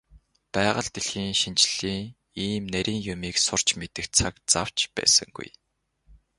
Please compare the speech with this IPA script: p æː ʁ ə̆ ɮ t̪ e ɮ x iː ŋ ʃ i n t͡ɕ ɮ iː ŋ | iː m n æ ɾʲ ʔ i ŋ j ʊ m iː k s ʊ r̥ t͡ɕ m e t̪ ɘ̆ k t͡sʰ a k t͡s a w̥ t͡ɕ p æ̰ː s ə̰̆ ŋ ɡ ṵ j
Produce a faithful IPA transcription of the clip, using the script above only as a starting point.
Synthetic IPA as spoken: p æː ʁ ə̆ ɮ t̪ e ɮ x iː ŋ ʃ i n t͡ɕ ɮ iː ŋ | iː m n æ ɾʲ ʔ iː ŋ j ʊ m iː k s ʊ r̥ t͡ɕ m e t̪ ɘ̆ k t͡sʰ a k t͡s a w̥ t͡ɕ p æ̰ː s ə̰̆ ŋ ɡ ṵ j